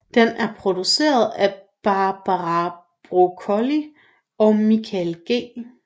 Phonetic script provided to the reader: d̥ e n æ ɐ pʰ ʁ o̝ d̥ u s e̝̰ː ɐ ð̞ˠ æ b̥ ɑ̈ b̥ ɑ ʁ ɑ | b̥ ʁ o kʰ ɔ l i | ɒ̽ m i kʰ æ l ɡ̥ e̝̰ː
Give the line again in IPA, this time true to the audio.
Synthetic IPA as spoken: d̥ e n æ ɐ pʰ ʁ o̝ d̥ u s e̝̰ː ɐ ð̞ˠ æ b̥ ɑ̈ b̥ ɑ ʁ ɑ | b̥ ʁ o kʰ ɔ l i | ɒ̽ m i kʰ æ l ɡ̥ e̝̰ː